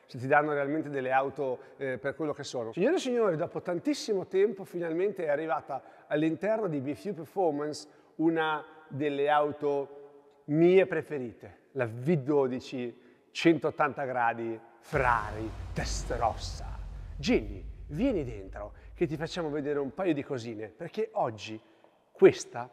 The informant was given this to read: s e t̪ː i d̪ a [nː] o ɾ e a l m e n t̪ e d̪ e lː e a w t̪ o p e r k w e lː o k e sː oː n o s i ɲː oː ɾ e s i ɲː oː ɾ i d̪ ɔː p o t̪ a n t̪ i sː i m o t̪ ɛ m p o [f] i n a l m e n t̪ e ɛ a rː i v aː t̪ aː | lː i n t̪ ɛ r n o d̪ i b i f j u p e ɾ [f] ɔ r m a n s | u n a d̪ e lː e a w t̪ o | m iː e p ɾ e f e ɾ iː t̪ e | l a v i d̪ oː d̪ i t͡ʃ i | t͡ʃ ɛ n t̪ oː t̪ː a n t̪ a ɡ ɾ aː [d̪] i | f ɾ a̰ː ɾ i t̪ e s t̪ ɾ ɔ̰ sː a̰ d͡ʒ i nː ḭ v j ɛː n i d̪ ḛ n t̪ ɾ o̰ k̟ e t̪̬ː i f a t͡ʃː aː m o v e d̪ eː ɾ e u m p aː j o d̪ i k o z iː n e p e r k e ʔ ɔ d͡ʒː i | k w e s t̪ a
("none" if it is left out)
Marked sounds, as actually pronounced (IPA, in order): nː, f, f, d̪

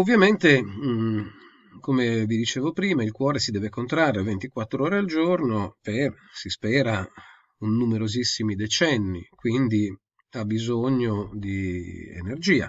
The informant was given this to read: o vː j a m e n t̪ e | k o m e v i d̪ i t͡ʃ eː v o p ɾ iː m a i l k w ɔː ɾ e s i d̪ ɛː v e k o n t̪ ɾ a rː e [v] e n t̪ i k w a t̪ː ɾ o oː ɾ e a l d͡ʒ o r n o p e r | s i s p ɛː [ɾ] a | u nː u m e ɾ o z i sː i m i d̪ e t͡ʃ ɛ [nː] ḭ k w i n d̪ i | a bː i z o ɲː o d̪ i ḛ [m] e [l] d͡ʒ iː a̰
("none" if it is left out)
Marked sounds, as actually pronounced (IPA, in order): v, ɾ, nː, n, r

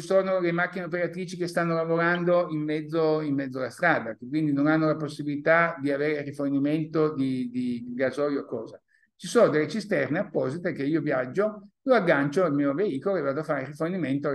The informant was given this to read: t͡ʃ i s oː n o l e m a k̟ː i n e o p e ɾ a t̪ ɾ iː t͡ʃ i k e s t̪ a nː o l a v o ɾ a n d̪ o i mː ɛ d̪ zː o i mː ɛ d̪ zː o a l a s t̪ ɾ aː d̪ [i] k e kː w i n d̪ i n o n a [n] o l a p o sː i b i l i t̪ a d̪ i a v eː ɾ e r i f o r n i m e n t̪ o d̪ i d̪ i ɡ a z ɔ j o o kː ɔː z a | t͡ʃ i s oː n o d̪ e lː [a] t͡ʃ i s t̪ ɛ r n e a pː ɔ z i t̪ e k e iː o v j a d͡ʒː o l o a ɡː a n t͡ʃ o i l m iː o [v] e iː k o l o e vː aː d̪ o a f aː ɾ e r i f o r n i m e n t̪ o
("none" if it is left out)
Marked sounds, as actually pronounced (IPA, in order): a, nː, e, v

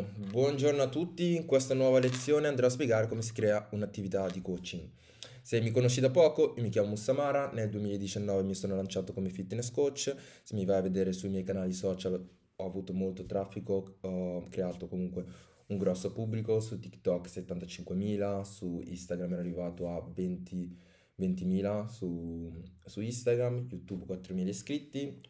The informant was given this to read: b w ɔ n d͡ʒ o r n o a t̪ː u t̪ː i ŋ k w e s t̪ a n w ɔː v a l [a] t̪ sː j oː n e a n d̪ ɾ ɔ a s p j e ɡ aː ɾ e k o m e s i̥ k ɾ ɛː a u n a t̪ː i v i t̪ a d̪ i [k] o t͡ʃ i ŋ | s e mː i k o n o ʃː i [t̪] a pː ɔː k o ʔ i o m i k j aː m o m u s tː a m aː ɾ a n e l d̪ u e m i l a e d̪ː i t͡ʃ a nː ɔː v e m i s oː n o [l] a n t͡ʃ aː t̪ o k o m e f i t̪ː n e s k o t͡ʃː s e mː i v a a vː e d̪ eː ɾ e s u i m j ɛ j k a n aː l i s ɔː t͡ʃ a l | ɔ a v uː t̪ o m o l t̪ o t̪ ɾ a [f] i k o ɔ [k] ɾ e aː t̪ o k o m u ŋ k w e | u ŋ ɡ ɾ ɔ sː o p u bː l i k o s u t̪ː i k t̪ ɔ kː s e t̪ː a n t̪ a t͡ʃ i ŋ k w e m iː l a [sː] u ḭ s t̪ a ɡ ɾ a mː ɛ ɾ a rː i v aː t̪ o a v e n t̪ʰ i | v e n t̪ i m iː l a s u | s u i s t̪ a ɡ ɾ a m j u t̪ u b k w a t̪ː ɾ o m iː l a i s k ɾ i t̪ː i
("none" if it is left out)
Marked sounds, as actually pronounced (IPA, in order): e, k, d̪, l, fː, k, s

